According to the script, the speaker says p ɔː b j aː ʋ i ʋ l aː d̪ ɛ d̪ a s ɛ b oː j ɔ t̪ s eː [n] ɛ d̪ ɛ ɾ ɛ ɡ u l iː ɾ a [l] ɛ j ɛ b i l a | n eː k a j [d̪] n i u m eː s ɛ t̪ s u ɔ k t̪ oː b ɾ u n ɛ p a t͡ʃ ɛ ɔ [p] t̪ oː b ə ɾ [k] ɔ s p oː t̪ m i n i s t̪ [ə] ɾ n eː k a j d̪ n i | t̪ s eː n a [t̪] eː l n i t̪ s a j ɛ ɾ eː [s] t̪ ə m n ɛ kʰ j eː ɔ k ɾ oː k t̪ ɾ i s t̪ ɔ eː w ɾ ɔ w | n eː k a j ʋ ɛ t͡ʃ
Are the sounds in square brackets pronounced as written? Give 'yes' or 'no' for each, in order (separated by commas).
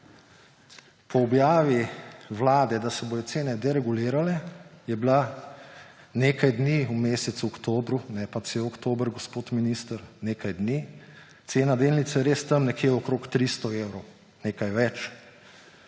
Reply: yes, yes, yes, no, no, yes, no, yes